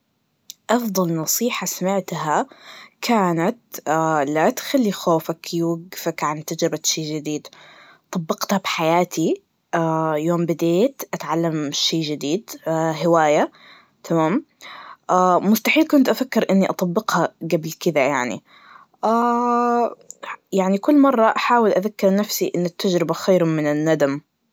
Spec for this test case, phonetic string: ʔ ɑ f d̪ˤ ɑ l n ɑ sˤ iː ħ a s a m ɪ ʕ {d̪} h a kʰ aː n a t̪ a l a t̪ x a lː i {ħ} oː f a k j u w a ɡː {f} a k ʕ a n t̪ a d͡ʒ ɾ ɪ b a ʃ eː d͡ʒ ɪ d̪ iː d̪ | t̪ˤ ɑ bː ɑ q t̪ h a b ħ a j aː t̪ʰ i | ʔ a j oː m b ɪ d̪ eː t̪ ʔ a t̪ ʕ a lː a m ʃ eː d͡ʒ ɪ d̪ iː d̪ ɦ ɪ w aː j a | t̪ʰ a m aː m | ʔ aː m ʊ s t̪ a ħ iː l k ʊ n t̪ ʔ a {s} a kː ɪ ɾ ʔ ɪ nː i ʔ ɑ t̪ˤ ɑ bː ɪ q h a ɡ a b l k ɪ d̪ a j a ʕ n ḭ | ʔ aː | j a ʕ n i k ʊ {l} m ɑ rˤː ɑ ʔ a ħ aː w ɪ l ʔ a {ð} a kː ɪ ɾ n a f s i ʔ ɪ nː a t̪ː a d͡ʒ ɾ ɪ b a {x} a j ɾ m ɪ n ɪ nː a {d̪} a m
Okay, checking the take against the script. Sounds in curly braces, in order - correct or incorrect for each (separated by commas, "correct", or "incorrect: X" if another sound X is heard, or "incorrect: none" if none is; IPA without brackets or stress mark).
incorrect: t̪, incorrect: x, correct, incorrect: f, incorrect: lː, correct, correct, correct